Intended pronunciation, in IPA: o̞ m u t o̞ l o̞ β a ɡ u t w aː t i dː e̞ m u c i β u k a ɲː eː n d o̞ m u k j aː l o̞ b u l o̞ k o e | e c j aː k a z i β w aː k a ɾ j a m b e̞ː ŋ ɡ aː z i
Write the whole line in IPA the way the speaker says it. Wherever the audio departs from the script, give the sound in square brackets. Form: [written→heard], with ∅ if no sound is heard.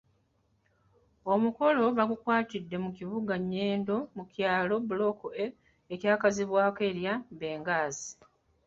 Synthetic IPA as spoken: o̞ m u [t→k] o̞ l o̞ β a ɡ u [t→k] w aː t i dː e̞ m u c i β u [k→ɡ] a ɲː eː n d o̞ m u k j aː l o̞ b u l o̞ k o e | e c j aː k a z i β w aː k [a→e] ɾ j a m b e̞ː ŋ ɡ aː z i